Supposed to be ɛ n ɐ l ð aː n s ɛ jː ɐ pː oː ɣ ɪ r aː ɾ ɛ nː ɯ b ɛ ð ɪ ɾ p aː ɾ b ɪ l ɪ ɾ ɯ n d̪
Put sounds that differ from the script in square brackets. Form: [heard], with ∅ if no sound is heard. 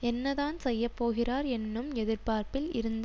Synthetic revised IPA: ɛ [nː] ɐ [∅] ð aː n s ɛ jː ɐ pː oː ɣ ɪ r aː ɾ ɛ nː ɯ [m] ɛ ð ɪ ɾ p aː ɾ [p] ɪ l ɪ ɾ ɯ n d̪